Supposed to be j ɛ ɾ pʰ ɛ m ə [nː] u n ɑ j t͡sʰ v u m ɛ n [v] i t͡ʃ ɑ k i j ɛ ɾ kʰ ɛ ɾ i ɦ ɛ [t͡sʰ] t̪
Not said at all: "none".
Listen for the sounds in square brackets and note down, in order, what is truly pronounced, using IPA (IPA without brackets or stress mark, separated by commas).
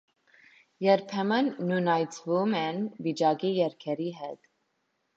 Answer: nː, v, none